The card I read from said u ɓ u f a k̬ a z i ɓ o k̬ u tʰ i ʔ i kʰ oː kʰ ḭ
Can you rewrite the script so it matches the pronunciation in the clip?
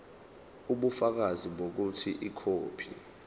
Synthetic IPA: u ɓ u f a k̬ a z i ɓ o k̬ u tʰ i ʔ i kʰ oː pʰ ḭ

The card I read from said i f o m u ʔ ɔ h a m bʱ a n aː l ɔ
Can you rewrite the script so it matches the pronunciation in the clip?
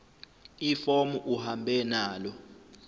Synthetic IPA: i f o m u ʔ u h a m bʱ ɛ n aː l ɔ

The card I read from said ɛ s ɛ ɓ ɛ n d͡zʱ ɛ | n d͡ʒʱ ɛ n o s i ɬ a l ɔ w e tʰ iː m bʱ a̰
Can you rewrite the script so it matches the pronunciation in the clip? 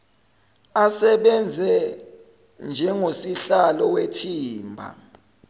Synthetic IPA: a s ɛ ɓ ɛ n d͡zʱ ɛ | n d͡ʒʱ ɛ ŋ o s i ɬ a l ɔ w e tʰ iː m bʱ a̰

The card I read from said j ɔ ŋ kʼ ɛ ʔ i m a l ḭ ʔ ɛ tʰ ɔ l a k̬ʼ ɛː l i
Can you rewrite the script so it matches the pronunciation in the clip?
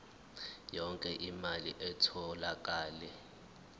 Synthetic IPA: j ɔ ŋ kʼ ɛ ʔ i m a l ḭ ʔ ɛ tʰ ɔ l a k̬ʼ aː l ɛ

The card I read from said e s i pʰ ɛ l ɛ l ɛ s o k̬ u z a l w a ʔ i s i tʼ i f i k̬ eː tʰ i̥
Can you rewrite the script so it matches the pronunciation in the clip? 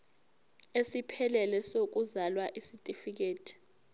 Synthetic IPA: e s i pʰ ɛ l ɛ l ɛ s o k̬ u z a l w a ʔ i s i tʼ i f i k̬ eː tʰ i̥

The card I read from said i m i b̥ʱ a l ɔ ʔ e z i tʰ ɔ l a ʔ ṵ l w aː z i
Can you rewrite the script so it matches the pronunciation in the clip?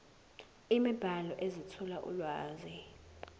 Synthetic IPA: i m i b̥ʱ a l ɔ ʔ e z i tʰ ɔ l a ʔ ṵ l w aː z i

